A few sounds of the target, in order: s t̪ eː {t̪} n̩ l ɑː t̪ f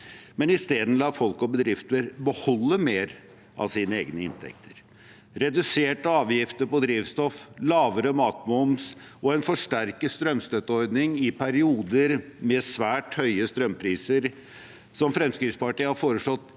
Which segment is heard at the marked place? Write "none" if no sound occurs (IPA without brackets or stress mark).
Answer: d̪